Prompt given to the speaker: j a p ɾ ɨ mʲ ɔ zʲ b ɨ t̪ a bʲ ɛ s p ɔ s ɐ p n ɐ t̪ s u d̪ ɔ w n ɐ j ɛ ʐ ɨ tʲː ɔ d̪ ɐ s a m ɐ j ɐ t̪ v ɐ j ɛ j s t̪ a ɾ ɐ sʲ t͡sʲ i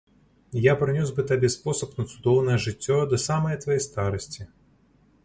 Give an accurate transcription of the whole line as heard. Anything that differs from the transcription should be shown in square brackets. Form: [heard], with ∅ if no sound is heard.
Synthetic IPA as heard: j a p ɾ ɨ [nʲ] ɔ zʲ b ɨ t̪ a bʲ ɛ s p ɔ s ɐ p n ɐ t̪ s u d̪ ɔ w n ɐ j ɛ ʐ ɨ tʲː ɔ d̪ ɐ s a m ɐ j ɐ t̪ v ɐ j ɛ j s t̪ a ɾ ɐ sʲ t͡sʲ i

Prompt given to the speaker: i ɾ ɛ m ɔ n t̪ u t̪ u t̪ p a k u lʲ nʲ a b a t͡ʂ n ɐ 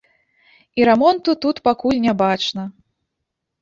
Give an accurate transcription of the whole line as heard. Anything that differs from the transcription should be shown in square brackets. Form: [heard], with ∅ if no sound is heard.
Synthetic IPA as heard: i ɾ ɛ m ɔ n t̪ u t̪ u t̪ p a k u lʲ nʲ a b a t͡ʂ n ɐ

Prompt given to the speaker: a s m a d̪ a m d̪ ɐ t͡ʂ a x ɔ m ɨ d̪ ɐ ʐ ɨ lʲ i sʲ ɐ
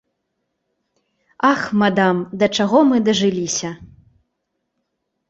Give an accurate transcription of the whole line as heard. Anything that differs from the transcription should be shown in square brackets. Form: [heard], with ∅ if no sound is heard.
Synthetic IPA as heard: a [x] m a d̪ a m d̪ ɐ t͡ʂ a [ɣ] ɔ m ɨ d̪ ɐ ʐ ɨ lʲ i sʲ ɐ

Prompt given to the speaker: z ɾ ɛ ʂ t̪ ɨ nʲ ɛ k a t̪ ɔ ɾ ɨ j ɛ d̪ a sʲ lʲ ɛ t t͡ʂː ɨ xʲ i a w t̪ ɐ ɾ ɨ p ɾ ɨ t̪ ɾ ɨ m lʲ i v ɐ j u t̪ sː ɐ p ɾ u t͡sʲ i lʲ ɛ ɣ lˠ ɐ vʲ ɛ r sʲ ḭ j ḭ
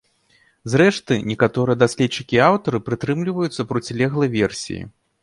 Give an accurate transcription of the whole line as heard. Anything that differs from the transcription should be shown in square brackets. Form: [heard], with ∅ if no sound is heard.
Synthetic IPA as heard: z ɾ ɛ ʂ t̪ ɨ nʲ ɛ k a t̪ ɔ ɾ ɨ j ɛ d̪ a sʲ lʲ ɛ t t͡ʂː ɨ [kʲ] i a w t̪ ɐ ɾ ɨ p ɾ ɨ t̪ ɾ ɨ m lʲ i v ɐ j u t̪ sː ɐ p ɾ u t͡sʲ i lʲ ɛ ɣ lˠ ɐ vʲ ɛ r sʲ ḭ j ḭ

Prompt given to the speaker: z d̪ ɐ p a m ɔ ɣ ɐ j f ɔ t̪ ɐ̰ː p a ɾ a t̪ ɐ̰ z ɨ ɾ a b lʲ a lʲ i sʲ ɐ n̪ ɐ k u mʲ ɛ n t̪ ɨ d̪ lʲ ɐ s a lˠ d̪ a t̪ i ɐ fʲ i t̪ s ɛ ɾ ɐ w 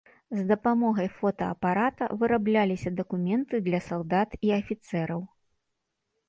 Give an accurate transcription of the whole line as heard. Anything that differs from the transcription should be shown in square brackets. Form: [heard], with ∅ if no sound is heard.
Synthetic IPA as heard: z d̪ ɐ p a m ɔ ɣ ɐ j f ɔ t̪ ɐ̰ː p a ɾ a t̪ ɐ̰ [v] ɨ ɾ a b lʲ a lʲ i sʲ ɐ [d̪] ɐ k u mʲ ɛ n t̪ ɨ d̪ lʲ ɐ s a lˠ d̪ a t̪ i ɐ fʲ i t̪ s ɛ ɾ ɐ w

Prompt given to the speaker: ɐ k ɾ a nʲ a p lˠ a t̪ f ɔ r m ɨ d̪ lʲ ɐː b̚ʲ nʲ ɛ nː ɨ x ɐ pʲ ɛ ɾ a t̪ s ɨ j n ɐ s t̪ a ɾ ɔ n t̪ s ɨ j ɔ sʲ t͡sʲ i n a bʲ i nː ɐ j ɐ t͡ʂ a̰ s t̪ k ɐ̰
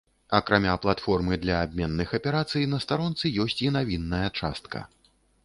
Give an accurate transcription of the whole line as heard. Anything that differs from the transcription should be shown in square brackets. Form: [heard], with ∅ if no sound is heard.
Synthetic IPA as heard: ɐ k ɾ a [mʲ] a p lˠ a t̪ f ɔ r m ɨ d̪ lʲ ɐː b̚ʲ [mʲ] ɛ nː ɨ x ɐ pʲ ɛ ɾ a t̪ s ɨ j n ɐ s t̪ a ɾ ɔ n t̪ s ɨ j ɔ sʲ t͡sʲ i n a [vʲ] i nː ɐ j ɐ t͡ʂ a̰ s t̪ k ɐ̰

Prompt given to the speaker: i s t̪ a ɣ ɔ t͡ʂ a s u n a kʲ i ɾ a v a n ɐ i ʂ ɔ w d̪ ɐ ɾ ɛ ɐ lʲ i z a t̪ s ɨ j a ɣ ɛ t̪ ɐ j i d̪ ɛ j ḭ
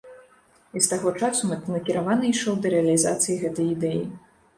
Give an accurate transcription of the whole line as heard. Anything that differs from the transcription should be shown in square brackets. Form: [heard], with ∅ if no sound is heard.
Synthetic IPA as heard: i s t̪ a ɣ ɔ t͡ʂ a s u n [ɐ] kʲ i ɾ a v a n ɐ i ʂ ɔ w d̪ ɐ ɾ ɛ ɐ lʲ i z a t̪ s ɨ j [i] ɣ ɛ t̪ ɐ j i d̪ ɛ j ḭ

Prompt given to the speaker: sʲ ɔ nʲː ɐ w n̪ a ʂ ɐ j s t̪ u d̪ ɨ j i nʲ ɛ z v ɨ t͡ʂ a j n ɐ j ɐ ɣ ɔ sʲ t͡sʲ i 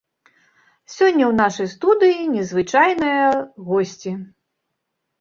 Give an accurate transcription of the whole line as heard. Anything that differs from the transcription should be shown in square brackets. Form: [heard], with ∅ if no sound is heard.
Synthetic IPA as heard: sʲ ɔ nʲː ɐ w n̪ a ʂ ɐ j s t̪ u d̪ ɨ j i nʲ ɛ z v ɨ t͡ʂ a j n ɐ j ɐ ɣ ɔ sʲ t͡sʲ i

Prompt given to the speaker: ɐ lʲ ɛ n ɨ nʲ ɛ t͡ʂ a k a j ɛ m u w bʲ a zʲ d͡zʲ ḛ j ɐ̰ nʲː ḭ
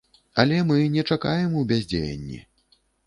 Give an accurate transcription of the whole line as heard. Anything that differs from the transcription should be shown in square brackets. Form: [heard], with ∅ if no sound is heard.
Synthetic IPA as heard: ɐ lʲ ɛ [m] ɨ nʲ ɛ t͡ʂ a k a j ɛ m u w bʲ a zʲ d͡zʲ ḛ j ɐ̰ nʲː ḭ

